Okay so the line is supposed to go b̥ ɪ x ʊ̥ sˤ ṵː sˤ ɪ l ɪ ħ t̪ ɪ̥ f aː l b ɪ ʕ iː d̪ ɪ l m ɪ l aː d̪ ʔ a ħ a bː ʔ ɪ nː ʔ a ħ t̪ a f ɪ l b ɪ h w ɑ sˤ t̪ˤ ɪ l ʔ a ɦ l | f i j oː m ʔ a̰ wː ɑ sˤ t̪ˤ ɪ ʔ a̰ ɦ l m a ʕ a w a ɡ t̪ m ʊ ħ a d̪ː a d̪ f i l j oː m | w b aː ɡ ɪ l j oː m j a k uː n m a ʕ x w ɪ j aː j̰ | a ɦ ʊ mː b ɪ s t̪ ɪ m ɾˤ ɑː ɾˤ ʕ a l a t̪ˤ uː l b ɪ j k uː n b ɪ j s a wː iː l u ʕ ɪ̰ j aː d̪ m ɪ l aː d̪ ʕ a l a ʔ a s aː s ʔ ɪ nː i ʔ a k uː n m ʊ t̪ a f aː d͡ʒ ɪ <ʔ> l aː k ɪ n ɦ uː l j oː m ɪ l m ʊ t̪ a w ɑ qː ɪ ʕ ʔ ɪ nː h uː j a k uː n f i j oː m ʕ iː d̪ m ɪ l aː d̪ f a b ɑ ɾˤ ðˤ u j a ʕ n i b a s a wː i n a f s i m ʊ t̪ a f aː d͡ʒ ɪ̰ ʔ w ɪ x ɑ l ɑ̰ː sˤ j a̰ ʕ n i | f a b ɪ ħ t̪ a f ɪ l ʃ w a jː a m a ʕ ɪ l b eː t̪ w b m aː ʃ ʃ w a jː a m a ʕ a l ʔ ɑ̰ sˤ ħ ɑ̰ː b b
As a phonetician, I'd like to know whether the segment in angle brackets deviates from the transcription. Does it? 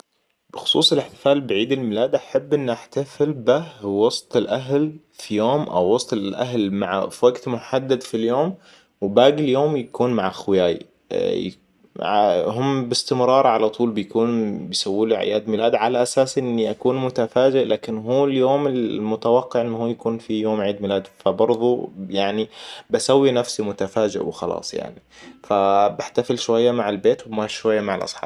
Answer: no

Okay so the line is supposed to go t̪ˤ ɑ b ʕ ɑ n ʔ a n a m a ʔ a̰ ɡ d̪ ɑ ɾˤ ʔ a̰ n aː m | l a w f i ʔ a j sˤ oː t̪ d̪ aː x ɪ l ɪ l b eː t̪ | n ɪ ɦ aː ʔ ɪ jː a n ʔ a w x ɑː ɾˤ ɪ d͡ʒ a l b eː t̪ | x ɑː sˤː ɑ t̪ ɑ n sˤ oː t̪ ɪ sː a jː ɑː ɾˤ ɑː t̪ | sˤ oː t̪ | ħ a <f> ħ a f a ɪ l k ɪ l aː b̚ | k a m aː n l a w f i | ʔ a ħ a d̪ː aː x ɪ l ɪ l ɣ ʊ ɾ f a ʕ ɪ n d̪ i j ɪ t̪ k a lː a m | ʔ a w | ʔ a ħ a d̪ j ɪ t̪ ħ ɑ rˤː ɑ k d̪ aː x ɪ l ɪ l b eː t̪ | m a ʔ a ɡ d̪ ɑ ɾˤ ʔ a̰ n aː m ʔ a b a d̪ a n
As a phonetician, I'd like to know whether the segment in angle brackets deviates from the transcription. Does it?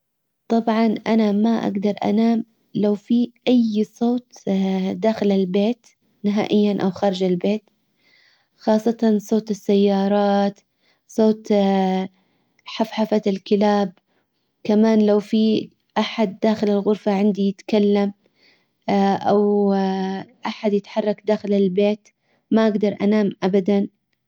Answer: no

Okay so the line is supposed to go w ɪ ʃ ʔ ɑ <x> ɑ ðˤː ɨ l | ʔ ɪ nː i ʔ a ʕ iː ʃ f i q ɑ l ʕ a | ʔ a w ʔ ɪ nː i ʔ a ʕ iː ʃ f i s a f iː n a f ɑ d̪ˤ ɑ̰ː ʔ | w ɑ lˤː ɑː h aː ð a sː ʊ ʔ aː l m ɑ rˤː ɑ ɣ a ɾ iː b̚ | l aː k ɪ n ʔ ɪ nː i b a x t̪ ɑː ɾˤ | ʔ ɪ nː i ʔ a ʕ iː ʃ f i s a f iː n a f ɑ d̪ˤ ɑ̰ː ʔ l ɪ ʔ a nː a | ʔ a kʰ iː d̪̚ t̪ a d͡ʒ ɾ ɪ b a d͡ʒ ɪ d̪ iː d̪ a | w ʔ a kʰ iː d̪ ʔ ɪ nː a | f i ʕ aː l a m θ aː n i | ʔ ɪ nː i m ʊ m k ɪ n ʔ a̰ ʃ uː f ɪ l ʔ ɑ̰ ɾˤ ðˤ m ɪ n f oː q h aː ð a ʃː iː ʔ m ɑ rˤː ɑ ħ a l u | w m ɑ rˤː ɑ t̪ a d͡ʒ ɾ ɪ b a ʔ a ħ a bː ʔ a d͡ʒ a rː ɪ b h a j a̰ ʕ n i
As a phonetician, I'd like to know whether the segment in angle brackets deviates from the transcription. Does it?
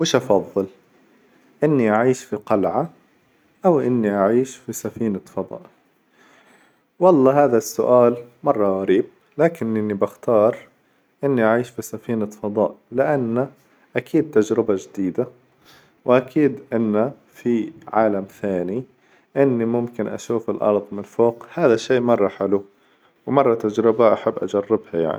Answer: yes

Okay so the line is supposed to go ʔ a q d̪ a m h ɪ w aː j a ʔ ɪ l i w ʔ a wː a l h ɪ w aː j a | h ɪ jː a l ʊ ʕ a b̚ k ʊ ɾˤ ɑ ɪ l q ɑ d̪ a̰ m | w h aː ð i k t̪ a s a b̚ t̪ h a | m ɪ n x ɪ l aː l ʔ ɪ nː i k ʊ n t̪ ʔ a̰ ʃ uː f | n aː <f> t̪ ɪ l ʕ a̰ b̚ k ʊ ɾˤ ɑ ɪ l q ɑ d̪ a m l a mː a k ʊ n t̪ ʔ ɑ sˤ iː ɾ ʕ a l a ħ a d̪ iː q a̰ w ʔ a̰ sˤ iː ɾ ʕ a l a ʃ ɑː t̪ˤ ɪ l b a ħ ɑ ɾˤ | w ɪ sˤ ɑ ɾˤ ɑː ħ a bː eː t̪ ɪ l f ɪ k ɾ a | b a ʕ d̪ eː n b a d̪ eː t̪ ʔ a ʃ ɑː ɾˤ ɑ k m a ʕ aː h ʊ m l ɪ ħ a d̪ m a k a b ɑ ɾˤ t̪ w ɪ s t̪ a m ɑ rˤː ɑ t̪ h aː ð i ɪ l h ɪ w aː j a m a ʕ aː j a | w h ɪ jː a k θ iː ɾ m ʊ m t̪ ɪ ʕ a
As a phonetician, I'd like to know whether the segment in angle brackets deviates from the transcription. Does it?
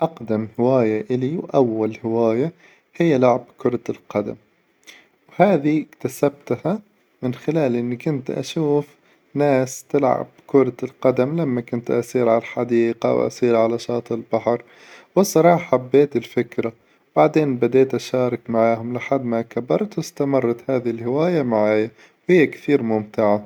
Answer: yes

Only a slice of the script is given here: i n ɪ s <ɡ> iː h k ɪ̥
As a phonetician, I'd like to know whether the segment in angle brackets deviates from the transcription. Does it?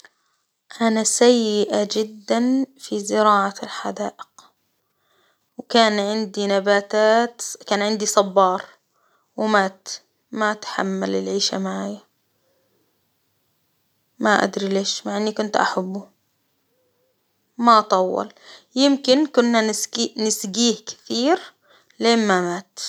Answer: no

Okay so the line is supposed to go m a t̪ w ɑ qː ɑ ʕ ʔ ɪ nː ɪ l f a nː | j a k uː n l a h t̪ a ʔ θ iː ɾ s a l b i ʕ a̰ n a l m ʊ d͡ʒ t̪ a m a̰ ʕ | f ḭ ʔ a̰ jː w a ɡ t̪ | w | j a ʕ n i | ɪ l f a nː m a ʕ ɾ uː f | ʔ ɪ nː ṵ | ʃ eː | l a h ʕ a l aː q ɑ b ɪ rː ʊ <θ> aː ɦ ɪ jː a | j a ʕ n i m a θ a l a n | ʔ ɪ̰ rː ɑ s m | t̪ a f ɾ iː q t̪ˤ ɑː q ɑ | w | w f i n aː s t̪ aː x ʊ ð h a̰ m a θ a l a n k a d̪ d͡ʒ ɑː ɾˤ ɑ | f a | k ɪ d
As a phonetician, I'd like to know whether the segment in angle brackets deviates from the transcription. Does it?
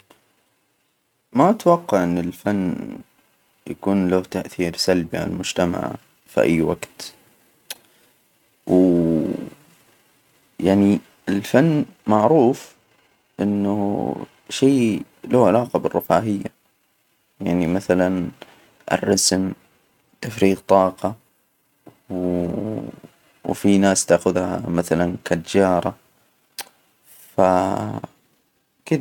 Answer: yes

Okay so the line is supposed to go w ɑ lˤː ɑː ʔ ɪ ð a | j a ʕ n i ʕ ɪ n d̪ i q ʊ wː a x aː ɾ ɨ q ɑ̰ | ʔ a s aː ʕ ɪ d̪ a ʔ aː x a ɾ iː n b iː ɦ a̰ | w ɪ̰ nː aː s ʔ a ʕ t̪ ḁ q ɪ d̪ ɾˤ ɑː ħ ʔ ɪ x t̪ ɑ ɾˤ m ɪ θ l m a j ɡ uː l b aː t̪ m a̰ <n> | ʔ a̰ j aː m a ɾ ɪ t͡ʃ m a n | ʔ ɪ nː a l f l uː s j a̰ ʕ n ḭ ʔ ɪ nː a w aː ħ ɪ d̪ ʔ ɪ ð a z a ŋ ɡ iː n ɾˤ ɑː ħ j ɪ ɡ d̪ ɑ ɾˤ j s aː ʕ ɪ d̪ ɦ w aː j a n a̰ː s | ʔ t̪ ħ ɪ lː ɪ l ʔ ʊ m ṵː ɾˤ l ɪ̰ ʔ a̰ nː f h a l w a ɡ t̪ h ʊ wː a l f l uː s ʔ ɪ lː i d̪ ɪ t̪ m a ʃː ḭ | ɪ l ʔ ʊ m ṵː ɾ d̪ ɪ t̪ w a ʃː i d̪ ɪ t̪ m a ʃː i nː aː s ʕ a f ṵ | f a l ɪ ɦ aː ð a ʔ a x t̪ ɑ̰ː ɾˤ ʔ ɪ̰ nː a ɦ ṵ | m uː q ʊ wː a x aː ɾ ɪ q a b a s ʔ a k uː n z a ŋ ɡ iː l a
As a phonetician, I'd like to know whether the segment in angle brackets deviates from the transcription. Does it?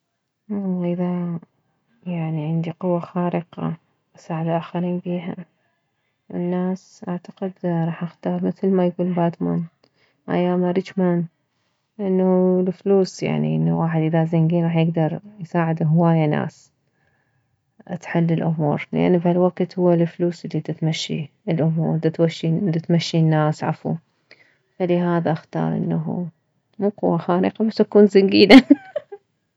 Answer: no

